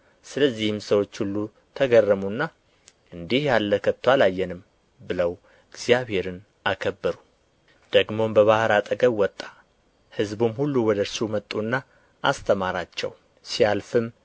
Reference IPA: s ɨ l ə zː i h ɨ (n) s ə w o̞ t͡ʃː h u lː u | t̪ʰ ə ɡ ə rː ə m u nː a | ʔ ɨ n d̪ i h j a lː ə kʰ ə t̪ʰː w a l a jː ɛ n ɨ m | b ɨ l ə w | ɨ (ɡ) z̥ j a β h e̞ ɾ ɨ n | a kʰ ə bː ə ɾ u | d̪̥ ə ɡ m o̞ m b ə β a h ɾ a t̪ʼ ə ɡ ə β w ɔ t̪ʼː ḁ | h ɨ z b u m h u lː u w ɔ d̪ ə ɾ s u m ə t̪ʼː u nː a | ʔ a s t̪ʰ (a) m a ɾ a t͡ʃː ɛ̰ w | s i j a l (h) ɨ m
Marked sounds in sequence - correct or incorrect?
incorrect: m, correct, incorrect: ə, incorrect: f

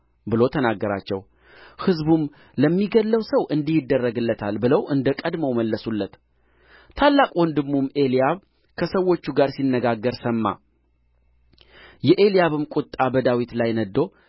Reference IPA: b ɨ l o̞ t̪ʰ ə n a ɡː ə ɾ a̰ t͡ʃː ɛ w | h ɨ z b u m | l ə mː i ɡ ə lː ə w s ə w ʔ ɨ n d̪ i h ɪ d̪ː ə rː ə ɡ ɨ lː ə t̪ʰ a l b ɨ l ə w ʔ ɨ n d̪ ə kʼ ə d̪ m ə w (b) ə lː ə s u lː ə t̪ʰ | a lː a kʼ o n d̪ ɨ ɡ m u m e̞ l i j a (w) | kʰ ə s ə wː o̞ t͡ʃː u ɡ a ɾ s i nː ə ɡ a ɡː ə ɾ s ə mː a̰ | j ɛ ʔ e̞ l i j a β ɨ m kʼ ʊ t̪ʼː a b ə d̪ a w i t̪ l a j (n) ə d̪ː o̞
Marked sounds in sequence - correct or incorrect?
incorrect: m, incorrect: β, correct

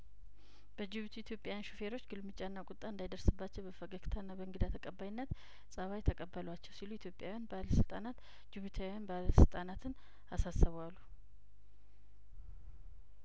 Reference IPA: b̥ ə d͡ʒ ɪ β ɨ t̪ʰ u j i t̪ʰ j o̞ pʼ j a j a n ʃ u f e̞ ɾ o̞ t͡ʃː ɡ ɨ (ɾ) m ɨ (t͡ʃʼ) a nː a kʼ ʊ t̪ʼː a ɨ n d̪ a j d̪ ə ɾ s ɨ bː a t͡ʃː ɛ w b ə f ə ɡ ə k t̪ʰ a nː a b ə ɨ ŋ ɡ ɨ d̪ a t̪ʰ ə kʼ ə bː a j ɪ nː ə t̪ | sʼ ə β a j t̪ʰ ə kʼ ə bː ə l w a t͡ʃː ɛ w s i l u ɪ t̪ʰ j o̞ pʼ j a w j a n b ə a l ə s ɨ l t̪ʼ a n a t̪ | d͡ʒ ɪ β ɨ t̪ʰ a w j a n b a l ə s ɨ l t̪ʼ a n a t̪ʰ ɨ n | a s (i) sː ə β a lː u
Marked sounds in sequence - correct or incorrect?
incorrect: l, correct, incorrect: a

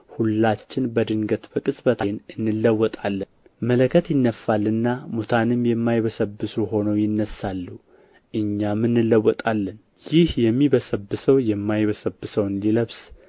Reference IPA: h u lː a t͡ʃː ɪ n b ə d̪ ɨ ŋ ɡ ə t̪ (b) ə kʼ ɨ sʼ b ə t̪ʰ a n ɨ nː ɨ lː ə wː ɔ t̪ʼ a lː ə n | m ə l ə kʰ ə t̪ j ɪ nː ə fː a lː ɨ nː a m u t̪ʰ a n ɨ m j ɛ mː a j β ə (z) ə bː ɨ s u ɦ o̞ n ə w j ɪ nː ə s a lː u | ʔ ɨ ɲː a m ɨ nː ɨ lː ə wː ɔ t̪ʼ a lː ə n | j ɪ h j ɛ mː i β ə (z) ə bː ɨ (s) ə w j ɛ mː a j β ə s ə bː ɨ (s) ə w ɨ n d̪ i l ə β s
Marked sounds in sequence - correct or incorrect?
correct, incorrect: s, incorrect: s, correct, correct

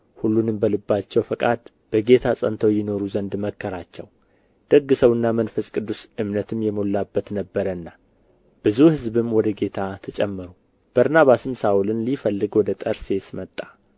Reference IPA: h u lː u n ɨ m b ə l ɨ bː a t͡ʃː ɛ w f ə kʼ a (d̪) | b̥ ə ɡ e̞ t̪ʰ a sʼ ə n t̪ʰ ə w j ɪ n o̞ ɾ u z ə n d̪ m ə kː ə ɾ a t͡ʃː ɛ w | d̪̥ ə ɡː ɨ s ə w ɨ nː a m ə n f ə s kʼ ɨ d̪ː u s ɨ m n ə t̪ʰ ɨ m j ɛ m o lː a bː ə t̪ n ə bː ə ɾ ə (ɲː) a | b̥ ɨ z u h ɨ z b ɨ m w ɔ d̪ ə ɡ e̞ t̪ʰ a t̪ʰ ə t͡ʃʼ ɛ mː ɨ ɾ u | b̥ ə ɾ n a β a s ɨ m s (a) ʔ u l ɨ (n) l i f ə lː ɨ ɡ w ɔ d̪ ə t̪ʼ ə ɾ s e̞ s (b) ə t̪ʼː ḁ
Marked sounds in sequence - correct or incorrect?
correct, incorrect: nː, correct, correct, incorrect: m

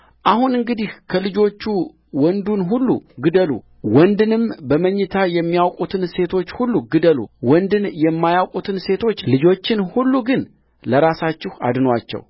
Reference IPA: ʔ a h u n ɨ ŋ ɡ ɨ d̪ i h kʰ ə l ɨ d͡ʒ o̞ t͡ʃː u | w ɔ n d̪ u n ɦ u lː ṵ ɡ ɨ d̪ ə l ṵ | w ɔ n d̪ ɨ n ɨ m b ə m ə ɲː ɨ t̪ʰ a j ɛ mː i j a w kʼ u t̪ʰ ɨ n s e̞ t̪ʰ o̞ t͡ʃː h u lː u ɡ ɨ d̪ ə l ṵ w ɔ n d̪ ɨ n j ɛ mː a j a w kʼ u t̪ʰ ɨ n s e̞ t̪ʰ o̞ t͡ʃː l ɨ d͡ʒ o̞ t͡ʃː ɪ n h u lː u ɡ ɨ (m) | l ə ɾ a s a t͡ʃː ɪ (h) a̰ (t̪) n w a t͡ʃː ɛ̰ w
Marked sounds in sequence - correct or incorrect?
incorrect: n, correct, incorrect: d̪

